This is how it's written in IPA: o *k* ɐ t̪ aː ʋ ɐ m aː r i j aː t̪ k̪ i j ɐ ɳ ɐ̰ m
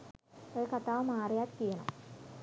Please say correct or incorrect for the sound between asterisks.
correct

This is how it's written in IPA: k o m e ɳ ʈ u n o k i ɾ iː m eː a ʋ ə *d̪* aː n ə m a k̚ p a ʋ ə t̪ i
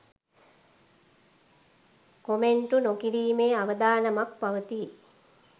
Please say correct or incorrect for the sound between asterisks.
correct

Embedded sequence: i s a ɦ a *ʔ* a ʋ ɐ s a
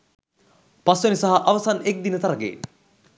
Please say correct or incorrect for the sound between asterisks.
correct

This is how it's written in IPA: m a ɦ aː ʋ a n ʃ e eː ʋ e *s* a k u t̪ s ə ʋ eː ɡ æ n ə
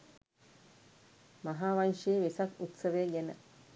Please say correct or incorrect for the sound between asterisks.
correct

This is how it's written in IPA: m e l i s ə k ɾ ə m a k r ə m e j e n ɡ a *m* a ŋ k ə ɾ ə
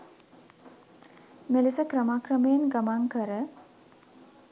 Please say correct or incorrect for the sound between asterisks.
correct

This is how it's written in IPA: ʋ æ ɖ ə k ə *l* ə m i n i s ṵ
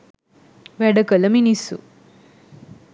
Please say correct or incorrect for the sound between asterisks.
correct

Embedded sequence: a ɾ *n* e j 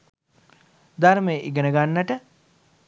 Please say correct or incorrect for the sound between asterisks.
incorrect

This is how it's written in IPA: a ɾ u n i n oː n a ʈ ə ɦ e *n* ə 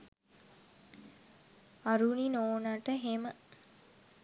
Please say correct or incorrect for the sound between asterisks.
incorrect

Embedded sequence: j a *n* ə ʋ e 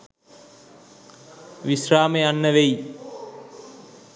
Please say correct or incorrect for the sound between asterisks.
incorrect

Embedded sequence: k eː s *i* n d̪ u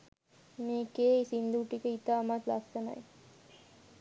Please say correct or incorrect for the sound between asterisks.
correct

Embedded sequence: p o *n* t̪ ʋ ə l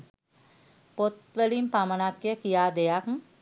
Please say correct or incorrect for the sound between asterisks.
incorrect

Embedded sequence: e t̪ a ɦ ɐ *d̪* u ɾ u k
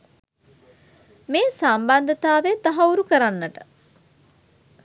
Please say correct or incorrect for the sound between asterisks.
incorrect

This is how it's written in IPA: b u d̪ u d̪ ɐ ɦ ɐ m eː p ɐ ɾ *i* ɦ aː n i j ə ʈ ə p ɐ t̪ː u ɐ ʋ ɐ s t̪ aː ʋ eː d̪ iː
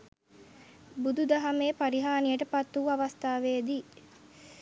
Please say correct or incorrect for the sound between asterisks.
correct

